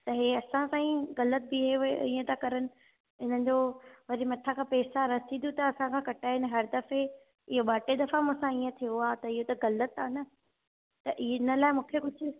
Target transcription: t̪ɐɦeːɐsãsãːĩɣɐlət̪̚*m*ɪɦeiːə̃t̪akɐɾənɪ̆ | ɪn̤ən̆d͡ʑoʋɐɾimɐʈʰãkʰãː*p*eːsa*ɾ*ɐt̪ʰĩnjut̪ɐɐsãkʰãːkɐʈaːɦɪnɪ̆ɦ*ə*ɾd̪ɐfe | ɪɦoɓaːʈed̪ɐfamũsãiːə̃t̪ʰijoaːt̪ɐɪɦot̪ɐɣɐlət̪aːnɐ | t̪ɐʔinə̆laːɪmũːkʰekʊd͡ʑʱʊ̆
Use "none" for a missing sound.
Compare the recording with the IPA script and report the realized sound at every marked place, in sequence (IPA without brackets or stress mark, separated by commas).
b, p, ɾ, ɐ